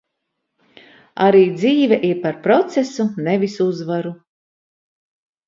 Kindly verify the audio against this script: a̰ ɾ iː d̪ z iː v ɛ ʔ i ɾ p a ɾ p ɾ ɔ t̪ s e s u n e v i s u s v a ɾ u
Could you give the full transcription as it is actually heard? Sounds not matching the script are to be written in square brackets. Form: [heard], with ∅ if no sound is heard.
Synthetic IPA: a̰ ɾ iː d̪ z iː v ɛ ʔ i ɾ p a ɾ p ɾ ɔ t̪ s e s u n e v i s u [z] v a ɾ u